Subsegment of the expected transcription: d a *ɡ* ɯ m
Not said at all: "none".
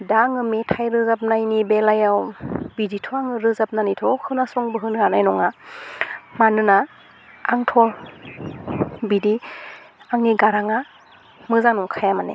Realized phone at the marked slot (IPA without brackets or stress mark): ŋ